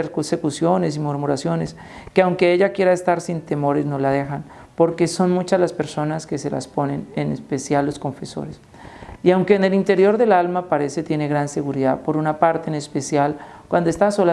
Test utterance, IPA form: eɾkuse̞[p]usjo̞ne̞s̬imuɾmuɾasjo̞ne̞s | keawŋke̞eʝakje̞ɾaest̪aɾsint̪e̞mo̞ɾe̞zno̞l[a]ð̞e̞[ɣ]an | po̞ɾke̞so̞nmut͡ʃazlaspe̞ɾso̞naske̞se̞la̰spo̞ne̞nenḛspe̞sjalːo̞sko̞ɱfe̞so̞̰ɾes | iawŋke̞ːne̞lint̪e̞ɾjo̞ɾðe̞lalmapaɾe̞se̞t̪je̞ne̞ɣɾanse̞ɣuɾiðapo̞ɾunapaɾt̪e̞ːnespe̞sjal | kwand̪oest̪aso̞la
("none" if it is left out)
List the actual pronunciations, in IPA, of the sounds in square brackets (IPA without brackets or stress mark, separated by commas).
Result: k, a, x